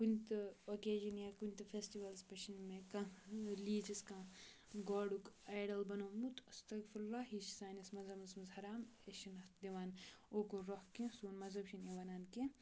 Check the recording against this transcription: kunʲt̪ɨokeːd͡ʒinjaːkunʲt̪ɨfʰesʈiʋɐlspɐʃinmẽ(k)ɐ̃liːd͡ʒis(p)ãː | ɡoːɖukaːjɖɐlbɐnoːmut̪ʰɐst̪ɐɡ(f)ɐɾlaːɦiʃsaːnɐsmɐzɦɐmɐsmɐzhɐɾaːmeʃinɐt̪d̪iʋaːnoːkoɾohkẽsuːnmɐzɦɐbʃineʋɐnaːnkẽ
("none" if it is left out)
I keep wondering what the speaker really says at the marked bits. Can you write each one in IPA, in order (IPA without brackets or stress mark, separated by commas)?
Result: k, k, f